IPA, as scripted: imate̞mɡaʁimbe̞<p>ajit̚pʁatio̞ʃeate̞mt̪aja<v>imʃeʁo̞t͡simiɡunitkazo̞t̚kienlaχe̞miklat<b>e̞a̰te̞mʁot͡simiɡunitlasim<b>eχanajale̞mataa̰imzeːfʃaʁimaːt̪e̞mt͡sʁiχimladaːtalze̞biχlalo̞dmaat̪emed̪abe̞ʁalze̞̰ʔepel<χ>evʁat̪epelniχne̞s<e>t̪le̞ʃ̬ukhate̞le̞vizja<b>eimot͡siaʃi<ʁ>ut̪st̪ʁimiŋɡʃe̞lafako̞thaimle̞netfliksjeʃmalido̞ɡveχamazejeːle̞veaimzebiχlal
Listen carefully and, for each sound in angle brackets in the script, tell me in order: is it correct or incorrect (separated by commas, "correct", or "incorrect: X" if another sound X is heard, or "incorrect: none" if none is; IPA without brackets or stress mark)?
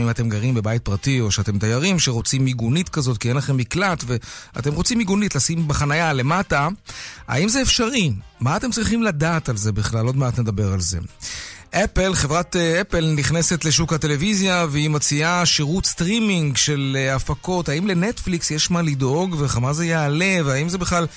incorrect: b, incorrect: ʁ, incorrect: v, correct, correct, correct, incorrect: v, correct